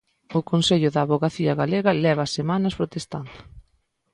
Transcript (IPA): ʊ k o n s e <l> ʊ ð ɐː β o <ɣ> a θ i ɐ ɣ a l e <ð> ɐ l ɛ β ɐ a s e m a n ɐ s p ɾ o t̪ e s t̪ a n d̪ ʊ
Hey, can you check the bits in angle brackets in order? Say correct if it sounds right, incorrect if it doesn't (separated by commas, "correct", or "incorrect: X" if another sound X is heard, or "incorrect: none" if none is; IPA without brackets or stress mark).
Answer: incorrect: ʎ, correct, incorrect: ɣ